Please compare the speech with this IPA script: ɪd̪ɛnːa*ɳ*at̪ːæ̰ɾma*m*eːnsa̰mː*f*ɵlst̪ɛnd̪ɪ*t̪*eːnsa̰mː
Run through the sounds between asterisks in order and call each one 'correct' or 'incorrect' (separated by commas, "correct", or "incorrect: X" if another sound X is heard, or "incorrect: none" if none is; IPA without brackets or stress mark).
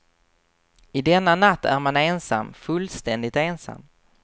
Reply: incorrect: n, incorrect: n, correct, correct